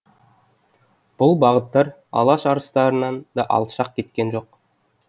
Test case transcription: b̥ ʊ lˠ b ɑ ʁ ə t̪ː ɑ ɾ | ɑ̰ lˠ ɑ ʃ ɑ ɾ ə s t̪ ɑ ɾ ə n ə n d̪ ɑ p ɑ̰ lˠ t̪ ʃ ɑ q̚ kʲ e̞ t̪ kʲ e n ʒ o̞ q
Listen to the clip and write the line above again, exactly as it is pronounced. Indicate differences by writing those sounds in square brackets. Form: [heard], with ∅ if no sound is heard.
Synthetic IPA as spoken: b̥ ʊ lˠ b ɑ ʁ ə t̪ː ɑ ɾ | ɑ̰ lˠ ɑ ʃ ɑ ɾ ə s t̪ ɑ ɾ ə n [ɑ] n d̪ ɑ [ʔ] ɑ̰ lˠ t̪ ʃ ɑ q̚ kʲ e̞ t̪ kʲ e n ʒ o̞ q